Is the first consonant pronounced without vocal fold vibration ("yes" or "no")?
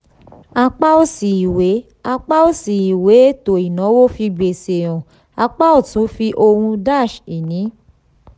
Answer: yes